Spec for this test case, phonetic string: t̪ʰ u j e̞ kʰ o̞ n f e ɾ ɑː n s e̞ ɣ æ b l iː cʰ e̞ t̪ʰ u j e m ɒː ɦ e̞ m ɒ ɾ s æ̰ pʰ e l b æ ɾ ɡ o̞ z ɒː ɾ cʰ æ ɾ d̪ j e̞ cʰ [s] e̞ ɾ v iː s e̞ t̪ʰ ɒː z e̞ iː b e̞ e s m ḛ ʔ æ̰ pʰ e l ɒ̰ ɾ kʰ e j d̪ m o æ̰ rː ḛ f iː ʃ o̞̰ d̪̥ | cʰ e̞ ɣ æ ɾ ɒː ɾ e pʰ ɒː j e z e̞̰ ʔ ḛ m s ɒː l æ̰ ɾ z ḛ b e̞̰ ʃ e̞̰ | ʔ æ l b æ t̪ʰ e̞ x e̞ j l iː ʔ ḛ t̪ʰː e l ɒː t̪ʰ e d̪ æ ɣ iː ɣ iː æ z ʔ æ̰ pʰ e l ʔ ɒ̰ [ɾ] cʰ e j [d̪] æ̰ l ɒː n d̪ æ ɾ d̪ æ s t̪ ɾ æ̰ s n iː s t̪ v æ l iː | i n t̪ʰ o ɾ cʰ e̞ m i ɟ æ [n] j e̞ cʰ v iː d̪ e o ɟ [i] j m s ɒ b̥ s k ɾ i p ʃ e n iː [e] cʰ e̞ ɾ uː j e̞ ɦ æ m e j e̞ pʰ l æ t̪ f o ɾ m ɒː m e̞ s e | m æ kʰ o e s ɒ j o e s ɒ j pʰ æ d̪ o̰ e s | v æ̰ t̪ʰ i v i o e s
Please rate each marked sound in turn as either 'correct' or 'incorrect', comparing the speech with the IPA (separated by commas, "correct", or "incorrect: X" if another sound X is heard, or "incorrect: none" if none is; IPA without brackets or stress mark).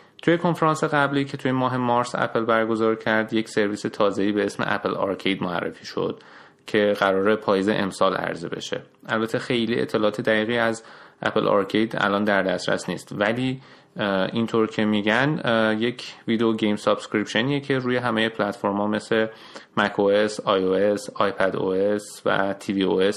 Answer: correct, correct, correct, correct, incorrect: e, correct